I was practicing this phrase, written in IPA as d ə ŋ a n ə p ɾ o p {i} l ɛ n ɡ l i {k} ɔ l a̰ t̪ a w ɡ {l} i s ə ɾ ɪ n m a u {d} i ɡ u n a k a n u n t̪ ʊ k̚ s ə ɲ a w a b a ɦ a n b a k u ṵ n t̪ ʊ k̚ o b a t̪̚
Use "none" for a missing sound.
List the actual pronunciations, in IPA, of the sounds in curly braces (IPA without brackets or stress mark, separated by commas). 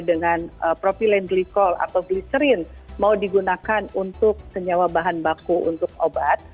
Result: i, k, l, d